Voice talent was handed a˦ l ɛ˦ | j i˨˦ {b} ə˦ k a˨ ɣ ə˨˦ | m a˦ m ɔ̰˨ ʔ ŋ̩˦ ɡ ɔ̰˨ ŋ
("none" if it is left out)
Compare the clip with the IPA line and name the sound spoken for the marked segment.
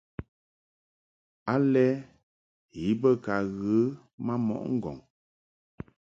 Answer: b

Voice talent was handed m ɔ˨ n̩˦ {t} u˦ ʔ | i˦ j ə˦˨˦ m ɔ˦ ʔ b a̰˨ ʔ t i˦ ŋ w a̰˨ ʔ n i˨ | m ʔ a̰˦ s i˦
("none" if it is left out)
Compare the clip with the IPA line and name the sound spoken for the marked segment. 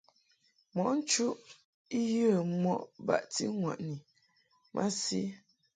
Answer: t͡ʃ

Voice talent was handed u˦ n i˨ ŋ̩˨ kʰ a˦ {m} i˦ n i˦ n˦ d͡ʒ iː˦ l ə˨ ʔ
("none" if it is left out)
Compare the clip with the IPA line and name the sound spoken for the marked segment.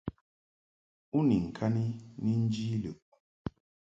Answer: n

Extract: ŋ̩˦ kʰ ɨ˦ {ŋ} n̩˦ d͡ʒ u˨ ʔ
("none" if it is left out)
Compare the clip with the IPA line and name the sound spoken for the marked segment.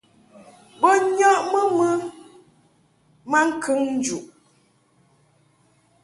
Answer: ŋ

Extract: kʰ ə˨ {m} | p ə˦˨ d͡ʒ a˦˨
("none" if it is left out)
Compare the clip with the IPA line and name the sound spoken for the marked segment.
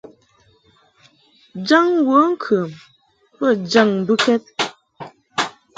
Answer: m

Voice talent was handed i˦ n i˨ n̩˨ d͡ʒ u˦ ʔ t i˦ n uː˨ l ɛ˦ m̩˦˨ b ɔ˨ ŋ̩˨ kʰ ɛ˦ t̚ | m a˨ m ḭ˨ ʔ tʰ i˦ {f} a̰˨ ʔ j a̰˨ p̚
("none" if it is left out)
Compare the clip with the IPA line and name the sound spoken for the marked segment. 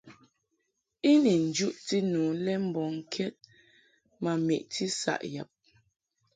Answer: s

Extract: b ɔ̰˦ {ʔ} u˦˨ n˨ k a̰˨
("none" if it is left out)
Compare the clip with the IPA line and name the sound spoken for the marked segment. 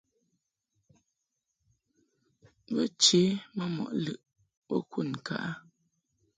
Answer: k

